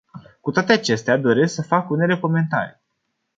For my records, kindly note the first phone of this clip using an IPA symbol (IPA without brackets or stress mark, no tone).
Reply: k